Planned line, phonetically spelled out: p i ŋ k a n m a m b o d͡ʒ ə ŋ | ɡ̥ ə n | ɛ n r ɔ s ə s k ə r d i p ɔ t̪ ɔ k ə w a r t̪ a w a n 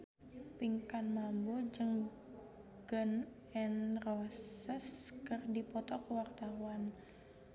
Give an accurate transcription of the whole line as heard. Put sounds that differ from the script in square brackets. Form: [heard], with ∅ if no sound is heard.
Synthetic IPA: p i ŋ k a n m a m b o d͡ʒ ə ŋ | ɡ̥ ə n | ɛ n r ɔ s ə s k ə r d i p ɔ t̪ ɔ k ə w a r t̪ a w a n